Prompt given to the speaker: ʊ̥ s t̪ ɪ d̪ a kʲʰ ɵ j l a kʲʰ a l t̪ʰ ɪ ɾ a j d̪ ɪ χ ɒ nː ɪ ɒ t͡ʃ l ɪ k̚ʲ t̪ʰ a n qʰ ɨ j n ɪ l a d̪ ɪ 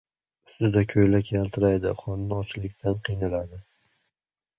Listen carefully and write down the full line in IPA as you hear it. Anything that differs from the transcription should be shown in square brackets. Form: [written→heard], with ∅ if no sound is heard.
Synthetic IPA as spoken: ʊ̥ s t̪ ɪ d̪ a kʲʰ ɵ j l a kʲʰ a l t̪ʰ ɪ ɾ a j d̪ ɪ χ ɒ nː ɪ ɒ t͡ʃ l ɪ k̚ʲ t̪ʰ a n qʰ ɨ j n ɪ l a d̪ ɪ